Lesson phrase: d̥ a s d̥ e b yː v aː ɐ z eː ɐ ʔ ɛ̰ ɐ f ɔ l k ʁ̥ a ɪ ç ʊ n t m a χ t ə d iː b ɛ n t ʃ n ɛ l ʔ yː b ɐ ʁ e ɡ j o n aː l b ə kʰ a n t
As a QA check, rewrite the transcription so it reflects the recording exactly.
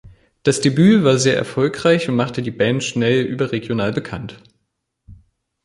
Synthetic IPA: d̥ a s d̥ e b yː v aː ɐ z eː ɐ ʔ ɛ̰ ɐ f ɔ l k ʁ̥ a ɪ ç ʊ n t m a χ t ə d iː b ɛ n t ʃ n ɛ l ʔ yː b ɐ ʁ e ɡ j o n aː l b ə kʰ a n t